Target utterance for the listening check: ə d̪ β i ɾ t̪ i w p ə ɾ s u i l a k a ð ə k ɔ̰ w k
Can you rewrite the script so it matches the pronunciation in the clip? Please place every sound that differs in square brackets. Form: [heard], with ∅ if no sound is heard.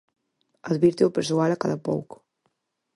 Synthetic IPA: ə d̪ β i ɾ t̪ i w p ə ɾ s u [a] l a k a ð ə [p] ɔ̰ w k